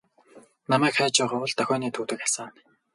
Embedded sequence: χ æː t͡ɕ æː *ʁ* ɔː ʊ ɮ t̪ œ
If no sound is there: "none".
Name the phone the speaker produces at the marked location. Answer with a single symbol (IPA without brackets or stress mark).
ʁ